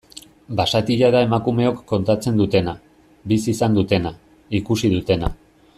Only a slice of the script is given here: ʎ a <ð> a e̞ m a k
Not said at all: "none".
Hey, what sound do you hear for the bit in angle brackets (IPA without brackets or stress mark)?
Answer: ð